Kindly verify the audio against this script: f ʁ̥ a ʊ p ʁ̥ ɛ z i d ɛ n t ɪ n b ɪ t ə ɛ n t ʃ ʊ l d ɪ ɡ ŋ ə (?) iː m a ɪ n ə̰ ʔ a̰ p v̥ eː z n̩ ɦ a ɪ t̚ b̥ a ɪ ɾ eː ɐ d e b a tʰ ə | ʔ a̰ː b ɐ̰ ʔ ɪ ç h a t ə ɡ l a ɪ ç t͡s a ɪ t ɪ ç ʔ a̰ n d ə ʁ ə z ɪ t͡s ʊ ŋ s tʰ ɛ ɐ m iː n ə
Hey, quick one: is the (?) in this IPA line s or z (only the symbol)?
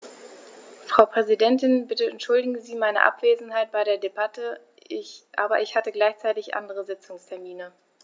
z